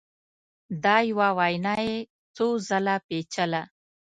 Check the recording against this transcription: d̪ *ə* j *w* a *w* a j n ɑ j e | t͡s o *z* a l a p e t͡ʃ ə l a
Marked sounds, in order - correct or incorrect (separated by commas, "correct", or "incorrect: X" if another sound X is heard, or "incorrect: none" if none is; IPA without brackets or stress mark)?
incorrect: ɑ, correct, correct, correct